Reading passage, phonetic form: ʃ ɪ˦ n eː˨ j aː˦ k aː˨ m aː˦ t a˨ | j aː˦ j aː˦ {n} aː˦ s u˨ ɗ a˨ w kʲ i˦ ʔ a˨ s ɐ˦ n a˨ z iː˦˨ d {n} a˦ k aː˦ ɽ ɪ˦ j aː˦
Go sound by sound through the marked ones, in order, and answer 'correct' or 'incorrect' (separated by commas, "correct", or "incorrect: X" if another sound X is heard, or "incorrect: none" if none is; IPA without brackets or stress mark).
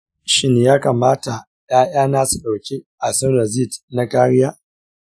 correct, correct